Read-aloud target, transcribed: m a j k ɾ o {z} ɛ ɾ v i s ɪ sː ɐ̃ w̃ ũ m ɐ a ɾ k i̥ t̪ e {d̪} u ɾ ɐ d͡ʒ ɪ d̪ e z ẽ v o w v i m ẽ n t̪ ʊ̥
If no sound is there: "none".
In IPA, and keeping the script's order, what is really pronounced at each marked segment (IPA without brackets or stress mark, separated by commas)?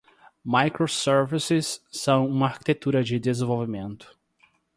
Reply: s, t̪